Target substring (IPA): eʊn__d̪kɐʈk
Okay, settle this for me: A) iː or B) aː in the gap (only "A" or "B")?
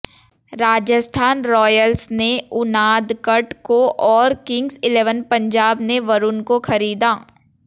B